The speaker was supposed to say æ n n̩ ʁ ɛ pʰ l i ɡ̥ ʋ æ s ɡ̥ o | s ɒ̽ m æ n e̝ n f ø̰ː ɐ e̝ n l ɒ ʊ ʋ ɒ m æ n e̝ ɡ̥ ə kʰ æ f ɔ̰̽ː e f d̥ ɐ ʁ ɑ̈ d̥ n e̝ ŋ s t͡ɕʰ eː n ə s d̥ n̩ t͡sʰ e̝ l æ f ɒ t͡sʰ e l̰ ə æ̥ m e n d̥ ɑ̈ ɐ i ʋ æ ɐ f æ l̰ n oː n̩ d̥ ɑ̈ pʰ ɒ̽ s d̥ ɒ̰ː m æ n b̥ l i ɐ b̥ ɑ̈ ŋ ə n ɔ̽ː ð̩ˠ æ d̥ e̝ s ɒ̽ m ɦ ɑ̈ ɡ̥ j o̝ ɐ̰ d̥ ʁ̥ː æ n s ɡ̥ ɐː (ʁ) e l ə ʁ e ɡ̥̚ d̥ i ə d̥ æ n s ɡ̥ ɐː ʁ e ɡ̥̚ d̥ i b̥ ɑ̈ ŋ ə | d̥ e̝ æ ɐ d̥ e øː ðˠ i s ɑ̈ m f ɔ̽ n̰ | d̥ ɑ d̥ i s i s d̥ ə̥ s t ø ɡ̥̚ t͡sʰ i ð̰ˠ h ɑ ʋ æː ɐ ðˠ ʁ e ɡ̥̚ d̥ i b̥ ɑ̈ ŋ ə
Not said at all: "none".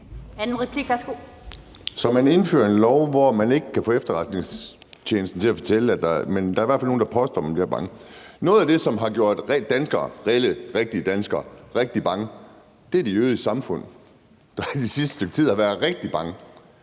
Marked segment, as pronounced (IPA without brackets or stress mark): ʁ